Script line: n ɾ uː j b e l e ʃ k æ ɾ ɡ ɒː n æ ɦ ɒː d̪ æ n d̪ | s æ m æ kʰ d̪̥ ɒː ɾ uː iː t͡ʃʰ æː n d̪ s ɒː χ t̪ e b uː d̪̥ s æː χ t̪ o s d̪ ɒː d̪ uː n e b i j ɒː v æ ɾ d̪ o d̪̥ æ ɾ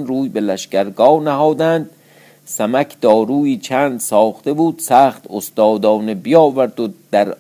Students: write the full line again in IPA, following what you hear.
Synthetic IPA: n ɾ uː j b e l æ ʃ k æ ɾ ɡ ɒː n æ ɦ ɒː d̪ æ n d̪ | s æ m æ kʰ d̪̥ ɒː ɾ uː iː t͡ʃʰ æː n d̪ s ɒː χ t̪ e b uː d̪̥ s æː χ t̪ o s t̪ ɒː d̪ ɒː n e b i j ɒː v æ ɾ d̪ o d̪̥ æ ɾ